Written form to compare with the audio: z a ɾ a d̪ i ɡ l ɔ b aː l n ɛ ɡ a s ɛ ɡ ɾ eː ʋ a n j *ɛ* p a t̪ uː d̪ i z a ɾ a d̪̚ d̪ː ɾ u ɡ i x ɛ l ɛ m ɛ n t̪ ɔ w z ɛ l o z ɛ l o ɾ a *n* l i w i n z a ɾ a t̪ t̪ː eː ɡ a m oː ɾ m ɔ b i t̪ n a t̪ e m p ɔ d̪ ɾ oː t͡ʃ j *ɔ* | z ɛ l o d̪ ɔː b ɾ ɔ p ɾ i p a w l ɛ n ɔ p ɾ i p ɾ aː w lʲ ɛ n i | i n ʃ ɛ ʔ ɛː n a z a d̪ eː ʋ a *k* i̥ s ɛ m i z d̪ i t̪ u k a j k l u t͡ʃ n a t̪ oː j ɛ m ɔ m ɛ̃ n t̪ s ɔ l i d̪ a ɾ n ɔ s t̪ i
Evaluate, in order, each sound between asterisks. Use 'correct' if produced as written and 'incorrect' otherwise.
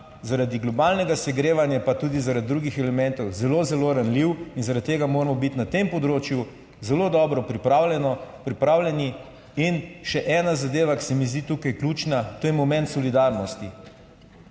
incorrect, correct, incorrect, correct

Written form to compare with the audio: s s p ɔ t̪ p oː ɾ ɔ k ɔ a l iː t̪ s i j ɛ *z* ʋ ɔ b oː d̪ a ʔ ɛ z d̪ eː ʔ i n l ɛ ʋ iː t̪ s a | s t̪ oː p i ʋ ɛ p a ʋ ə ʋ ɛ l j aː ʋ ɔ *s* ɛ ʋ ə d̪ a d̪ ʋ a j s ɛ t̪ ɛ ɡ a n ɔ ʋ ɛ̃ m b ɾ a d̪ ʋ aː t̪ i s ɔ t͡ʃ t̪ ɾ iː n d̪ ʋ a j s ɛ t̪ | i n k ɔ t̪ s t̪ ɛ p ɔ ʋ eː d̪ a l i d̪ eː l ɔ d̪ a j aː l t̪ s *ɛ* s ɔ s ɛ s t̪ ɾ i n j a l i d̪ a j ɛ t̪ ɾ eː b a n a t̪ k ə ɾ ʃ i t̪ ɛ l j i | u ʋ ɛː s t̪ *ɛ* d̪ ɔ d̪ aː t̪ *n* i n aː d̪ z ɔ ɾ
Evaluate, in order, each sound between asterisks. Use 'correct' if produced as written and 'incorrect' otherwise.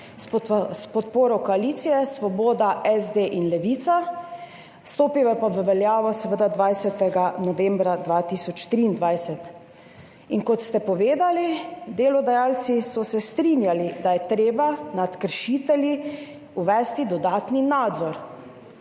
incorrect, correct, incorrect, incorrect, correct

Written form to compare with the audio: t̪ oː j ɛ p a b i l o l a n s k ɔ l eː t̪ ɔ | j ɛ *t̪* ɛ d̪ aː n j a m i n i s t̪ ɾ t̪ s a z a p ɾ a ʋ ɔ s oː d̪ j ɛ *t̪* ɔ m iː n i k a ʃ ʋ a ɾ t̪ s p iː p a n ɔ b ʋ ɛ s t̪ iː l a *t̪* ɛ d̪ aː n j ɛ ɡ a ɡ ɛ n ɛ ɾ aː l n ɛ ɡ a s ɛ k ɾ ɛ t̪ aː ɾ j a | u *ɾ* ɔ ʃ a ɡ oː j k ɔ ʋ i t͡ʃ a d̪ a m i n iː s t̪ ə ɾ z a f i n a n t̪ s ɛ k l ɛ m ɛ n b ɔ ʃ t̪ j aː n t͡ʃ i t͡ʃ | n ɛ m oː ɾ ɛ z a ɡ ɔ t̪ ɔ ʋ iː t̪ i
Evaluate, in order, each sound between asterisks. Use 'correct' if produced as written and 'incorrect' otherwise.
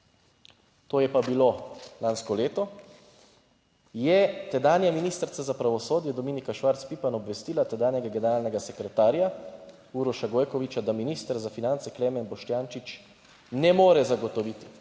correct, incorrect, correct, correct

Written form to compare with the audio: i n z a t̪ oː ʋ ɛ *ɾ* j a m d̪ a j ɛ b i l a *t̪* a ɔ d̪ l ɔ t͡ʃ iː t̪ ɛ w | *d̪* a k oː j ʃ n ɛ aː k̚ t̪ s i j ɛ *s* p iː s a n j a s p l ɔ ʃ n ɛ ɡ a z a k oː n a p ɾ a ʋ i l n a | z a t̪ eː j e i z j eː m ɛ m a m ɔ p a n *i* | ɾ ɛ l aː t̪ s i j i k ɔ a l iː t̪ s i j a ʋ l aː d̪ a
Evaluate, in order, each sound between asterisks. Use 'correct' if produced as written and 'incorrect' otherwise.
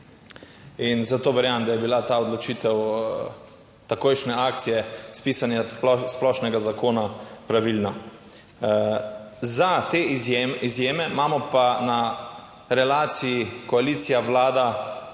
correct, correct, incorrect, correct, incorrect

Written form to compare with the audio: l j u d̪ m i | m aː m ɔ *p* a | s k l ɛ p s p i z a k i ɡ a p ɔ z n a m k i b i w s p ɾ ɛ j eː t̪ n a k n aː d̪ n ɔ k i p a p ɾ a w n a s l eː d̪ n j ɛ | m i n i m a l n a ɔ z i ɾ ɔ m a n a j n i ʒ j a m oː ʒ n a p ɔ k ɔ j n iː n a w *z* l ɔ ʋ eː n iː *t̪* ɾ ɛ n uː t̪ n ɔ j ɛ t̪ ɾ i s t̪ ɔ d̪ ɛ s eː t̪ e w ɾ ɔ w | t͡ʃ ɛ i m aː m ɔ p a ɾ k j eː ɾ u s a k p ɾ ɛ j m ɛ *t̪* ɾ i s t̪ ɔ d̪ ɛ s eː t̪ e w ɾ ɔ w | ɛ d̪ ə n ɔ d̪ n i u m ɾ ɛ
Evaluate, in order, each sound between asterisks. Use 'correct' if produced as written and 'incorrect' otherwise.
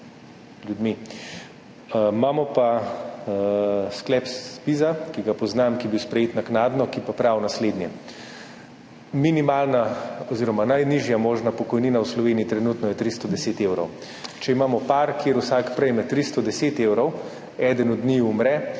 correct, incorrect, correct, correct

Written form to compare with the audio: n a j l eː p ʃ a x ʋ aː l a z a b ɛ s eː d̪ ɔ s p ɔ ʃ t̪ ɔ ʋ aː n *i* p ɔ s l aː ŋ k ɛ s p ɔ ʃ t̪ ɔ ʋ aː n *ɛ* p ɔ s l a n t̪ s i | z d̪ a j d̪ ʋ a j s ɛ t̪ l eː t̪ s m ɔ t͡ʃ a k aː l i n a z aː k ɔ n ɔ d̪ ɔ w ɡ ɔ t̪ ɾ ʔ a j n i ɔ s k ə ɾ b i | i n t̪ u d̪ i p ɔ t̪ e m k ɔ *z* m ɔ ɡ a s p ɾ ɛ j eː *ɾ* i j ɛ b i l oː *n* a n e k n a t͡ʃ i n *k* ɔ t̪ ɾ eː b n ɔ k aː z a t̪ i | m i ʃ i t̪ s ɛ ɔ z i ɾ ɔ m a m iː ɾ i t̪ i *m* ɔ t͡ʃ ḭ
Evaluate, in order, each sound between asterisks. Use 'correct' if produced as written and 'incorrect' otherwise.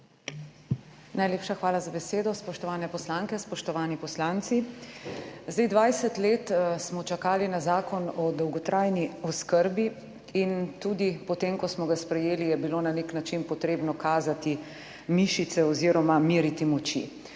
incorrect, incorrect, incorrect, incorrect, correct, incorrect, correct

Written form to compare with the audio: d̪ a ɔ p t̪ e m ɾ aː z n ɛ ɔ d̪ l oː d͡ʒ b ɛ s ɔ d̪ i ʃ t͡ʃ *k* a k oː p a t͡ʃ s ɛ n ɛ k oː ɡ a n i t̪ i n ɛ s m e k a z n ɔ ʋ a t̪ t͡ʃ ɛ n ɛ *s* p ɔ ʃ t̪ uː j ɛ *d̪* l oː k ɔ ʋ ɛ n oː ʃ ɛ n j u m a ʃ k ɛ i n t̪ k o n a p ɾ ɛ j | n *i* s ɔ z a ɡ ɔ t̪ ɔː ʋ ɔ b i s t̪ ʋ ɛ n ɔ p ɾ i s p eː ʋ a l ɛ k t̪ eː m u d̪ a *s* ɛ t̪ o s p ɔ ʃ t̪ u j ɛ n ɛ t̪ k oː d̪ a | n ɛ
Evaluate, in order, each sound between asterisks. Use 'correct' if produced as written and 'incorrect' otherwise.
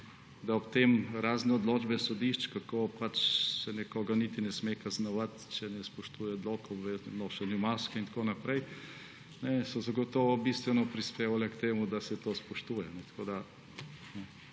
correct, correct, correct, incorrect, correct

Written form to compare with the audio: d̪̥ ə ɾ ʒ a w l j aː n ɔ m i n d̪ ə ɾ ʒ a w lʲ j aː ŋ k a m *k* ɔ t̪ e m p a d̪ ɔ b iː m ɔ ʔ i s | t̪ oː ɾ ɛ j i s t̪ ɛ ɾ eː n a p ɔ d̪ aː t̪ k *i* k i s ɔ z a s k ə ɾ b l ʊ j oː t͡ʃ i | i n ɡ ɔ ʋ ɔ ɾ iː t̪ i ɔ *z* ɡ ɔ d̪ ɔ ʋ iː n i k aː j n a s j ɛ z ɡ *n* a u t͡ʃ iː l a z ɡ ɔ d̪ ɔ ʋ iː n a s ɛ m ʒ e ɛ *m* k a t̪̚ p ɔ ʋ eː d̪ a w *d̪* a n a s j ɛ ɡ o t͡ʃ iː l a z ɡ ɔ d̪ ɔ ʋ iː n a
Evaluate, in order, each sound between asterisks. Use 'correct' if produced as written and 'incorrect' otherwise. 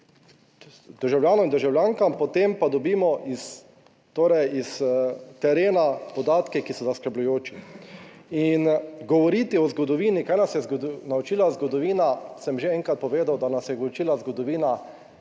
incorrect, incorrect, correct, correct, incorrect, correct

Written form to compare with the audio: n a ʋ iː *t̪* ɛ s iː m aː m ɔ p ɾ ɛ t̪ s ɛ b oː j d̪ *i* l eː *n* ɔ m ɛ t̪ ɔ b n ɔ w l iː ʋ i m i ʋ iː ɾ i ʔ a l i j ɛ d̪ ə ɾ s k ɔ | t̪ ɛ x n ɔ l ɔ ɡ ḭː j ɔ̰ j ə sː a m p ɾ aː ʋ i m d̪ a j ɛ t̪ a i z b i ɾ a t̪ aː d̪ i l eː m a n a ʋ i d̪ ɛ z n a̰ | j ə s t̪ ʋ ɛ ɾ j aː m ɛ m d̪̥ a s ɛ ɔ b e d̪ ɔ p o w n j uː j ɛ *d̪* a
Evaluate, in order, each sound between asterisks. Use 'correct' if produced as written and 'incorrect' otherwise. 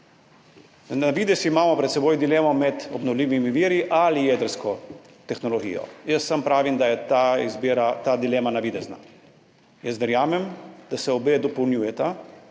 incorrect, correct, incorrect, incorrect

